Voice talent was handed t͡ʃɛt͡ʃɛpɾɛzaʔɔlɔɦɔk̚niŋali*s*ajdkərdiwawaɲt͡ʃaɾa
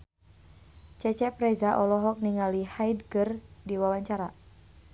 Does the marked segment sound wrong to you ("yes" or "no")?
yes